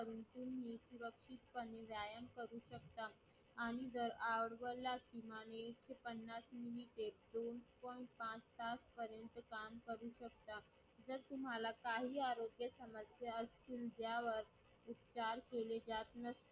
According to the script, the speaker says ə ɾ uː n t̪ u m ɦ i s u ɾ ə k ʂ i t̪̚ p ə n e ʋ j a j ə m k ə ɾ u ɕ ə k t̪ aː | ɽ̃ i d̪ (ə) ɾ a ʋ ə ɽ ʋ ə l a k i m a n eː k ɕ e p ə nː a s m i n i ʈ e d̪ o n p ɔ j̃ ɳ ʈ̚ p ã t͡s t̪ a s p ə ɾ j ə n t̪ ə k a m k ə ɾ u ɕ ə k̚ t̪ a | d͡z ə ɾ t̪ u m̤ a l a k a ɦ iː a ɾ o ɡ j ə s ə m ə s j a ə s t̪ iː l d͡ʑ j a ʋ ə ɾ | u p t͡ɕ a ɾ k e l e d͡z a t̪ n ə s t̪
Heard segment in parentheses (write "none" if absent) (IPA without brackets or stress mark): ə